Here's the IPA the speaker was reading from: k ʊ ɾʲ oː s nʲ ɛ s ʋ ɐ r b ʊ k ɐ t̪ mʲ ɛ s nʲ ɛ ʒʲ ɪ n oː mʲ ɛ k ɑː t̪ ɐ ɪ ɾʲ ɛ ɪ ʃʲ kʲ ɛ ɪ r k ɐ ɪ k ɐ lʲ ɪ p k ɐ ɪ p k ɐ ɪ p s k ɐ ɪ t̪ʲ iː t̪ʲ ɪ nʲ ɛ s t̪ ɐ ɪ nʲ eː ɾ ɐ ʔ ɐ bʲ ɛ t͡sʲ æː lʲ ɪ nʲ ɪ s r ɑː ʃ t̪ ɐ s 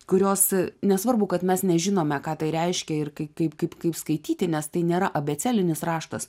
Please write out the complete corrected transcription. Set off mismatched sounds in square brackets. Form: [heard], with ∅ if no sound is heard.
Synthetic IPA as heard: k ʊ ɾʲ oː s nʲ ɛ s ʋ ɐ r b ʊ k ɐ t̪ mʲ ɛ s nʲ ɛ ʒʲ ɪ n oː mʲ ɛ k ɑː t̪ ɐ ɪ ɾʲ ɛ ɪ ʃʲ kʲ ɛ ɪ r k ɐ ɪ k ɐ [∅] ɪ p k ɐ ɪ p k ɐ ɪ p s k ɐ ɪ t̪ʲ iː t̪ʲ ɪ nʲ ɛ s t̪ ɐ ɪ nʲ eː ɾ ɐ ʔ ɐ bʲ ɛ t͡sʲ æː lʲ ɪ nʲ ɪ s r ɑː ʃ t̪ ɐ s